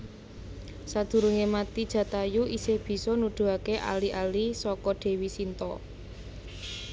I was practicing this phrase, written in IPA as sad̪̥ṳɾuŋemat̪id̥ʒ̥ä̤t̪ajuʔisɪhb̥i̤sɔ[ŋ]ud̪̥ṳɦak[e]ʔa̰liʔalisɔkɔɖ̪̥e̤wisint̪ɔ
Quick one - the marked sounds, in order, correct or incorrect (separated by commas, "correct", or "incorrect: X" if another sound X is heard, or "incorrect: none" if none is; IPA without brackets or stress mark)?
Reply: incorrect: n, correct